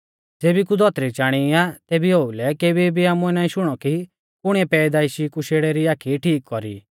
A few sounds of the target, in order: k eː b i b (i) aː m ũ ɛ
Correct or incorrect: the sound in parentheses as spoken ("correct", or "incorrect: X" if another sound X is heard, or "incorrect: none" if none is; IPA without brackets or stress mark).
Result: correct